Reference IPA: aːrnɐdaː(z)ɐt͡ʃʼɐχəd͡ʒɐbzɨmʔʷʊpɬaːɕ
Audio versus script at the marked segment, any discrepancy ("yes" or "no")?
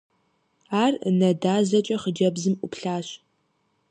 no